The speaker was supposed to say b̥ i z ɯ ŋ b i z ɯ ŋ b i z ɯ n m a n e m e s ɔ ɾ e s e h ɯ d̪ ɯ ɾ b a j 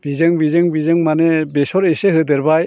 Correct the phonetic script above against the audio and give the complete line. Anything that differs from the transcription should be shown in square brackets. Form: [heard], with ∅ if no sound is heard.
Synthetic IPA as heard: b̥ i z ɯ ŋ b i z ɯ ŋ b i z ɯ [ŋ] m a n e [b] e s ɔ ɾ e s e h ɯ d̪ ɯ ɾ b a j